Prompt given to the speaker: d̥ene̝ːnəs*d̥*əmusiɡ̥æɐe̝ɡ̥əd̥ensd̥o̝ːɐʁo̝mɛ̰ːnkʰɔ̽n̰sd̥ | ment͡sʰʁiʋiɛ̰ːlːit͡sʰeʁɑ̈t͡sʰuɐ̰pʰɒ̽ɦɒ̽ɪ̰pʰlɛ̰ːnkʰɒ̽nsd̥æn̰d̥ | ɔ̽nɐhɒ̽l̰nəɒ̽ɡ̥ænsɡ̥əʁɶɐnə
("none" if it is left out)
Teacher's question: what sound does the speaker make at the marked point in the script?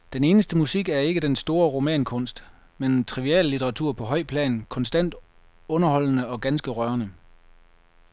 d̥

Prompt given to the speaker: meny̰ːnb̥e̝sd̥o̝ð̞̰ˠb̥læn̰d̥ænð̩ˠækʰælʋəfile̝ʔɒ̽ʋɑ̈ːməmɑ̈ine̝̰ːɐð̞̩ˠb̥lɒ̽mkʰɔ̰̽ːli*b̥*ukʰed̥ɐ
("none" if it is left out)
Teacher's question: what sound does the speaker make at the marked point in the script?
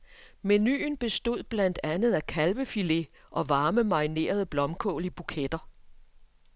b̥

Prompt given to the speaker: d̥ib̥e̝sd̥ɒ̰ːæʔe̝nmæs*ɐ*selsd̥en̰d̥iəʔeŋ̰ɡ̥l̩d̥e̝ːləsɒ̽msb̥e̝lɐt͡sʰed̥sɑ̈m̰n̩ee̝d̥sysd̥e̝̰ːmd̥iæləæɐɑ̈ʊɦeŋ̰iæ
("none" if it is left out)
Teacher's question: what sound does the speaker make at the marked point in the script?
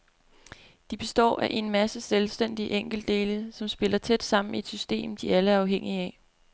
ə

